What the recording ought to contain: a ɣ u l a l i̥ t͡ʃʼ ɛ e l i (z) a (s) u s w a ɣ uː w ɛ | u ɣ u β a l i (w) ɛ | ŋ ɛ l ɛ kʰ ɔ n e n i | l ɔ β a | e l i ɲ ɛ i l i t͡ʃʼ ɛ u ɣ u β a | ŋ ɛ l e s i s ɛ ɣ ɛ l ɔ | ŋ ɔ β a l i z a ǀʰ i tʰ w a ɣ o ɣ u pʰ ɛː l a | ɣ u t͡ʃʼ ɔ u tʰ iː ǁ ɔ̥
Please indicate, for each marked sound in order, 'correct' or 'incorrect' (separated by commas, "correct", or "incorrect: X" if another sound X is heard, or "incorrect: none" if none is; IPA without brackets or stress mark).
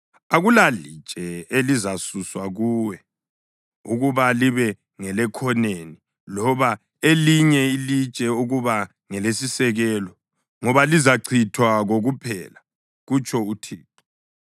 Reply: correct, correct, incorrect: β